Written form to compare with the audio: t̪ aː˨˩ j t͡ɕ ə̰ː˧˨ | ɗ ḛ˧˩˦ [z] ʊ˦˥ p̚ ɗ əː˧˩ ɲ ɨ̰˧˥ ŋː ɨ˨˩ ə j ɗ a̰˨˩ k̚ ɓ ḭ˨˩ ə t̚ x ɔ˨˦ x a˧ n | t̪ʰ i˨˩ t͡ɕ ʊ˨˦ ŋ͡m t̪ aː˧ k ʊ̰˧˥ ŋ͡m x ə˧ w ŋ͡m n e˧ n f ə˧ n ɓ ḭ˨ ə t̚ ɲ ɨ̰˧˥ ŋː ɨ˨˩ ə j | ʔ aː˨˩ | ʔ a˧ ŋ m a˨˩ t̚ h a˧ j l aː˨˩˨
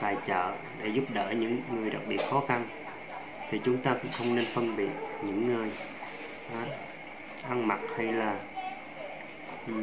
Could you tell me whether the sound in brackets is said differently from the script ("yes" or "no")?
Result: no